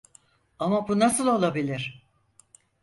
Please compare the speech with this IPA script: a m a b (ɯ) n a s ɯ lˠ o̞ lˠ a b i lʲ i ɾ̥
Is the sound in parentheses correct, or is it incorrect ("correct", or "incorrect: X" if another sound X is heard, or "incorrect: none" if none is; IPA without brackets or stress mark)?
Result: incorrect: u